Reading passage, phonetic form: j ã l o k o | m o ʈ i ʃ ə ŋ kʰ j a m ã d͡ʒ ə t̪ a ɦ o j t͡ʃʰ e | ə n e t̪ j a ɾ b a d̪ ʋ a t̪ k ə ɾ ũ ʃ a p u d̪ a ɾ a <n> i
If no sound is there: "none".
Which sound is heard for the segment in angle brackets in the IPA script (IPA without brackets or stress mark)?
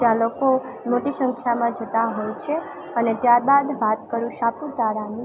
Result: n